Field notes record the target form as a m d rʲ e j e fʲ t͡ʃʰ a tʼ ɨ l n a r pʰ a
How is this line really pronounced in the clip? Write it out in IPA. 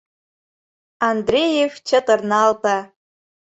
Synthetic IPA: a n d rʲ e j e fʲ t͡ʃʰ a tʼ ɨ r n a l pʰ a